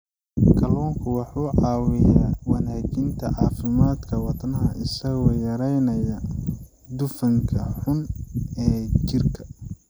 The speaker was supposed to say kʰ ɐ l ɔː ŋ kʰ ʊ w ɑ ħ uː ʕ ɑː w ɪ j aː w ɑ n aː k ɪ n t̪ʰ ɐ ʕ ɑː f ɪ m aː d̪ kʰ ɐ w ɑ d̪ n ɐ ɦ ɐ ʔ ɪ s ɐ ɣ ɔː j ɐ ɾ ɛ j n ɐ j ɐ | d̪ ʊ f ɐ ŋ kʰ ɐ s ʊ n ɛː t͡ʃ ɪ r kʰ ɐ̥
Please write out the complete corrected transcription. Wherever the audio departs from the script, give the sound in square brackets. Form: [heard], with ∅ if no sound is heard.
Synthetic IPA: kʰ ɐ l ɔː ŋ kʰ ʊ w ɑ ħ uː ʕ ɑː w ɪ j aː w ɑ n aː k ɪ n t̪ʰ ɐ ʕ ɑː f ɪ m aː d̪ kʰ ɐ w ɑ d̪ n ɐ ɦ ɐ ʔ ɪ s ɐ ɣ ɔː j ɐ ɾ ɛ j n ɐ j ɐ | d̪ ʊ f ɐ ŋ kʰ ɐ [ħ] ʊ n ɛː t͡ʃ ɪ r kʰ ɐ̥